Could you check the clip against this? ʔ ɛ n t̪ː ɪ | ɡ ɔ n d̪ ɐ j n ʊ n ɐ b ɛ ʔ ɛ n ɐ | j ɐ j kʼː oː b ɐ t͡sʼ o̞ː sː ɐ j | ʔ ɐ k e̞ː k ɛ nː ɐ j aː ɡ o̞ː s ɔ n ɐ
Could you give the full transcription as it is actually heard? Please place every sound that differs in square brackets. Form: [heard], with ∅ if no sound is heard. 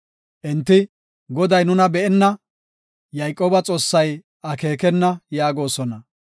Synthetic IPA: ʔ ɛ n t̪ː ɪ | ɡ ɔ [∅] d̪ ɐ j n ʊ n ɐ b ɛ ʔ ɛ [nː] ɐ | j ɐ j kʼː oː b ɐ t͡sʼ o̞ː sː ɐ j | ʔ ɐ k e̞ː k ɛ nː ɐ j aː ɡ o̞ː s ɔ n ɐ

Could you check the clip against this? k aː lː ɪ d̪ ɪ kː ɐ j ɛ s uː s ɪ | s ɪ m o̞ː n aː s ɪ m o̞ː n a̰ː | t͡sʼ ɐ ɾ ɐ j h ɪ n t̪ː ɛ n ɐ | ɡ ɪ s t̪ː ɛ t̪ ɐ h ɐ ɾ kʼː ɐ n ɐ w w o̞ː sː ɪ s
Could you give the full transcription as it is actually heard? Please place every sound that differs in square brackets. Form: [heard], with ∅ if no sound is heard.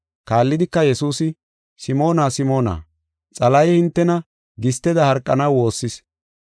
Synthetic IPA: k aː lː ɪ d̪ ɪ kː ɐ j ɛ s uː s ɪ | s ɪ m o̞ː n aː s ɪ m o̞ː n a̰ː | t͡sʼ ɐ [l] ɐ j h ɪ n t̪ː ɛ n ɐ | ɡ ɪ s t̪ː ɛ [d̪] ɐ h ɐ ɾ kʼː ɐ n ɐ w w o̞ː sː ɪ s

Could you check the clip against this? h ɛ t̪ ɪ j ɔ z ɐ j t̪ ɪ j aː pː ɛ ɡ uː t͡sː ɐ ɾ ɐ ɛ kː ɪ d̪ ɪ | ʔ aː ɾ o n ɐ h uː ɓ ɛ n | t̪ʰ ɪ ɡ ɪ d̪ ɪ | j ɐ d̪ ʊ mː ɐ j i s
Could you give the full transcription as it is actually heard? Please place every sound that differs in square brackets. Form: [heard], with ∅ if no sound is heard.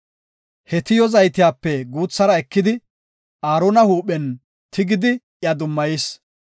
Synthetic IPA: h ɛ t̪ ɪ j ɔ z ɐ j t̪ ɪ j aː pː ɛ ɡ uː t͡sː ɐ ɾ ɐ ɛ kː ɪ d̪ ɪ | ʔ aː ɾ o n ɐ h uː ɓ ɛ n | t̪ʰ ɪ ɡ ɪ d̪ ɪ | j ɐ d̪ ʊ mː ɐ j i s

